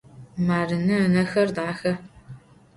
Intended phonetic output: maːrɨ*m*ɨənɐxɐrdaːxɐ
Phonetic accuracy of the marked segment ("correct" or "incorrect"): incorrect